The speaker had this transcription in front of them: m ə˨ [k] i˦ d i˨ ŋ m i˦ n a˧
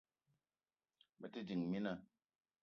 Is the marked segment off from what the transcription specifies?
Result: yes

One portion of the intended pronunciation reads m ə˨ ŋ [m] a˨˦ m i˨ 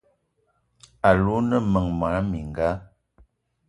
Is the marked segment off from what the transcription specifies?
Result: no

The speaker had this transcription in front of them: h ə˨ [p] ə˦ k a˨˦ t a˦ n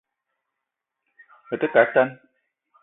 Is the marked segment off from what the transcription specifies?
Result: yes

